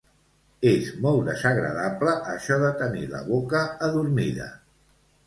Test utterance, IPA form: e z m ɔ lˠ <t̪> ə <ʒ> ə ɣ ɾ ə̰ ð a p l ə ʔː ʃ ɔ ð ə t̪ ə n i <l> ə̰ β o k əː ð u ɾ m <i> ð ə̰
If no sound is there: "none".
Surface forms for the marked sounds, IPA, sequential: d̪, z, l, i

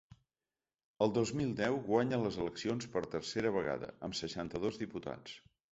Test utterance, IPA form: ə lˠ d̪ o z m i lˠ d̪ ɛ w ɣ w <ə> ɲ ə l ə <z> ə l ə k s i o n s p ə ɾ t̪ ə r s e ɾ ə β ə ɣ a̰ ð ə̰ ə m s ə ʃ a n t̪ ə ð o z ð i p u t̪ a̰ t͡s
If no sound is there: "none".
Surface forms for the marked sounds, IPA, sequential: a, z

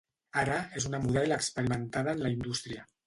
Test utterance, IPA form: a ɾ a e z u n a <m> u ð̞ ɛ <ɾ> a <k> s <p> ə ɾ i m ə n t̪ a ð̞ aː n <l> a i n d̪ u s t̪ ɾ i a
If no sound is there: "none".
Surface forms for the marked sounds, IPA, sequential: m, l, k, p, l

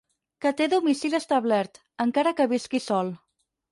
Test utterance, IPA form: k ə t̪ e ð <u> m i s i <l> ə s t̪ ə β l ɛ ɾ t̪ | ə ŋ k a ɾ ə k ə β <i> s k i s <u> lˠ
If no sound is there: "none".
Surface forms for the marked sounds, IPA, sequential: u, l, i, ɔ

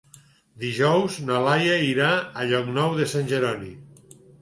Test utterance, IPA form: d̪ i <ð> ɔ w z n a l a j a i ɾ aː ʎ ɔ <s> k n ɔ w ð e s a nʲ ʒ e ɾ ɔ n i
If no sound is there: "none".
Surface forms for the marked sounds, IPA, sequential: ʒ, none

